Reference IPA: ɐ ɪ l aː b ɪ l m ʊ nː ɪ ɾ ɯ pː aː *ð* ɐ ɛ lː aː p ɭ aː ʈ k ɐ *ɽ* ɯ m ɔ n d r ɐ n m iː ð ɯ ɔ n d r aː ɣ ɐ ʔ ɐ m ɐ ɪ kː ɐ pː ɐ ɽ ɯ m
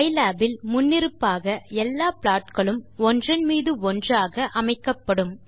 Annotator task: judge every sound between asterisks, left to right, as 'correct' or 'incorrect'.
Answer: incorrect: ɣ, incorrect: ɭ

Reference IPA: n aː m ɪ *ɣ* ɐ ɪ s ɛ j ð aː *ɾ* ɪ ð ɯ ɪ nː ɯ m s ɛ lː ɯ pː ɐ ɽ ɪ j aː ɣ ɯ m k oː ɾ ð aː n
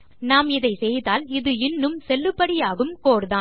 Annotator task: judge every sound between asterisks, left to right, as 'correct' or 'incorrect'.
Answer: incorrect: ð, incorrect: l

